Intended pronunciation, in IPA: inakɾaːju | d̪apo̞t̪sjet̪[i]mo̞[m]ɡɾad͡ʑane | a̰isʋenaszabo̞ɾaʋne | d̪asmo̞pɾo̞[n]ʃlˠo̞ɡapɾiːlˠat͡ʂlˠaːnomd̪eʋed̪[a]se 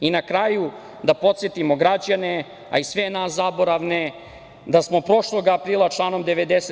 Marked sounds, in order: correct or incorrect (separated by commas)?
correct, incorrect, incorrect, incorrect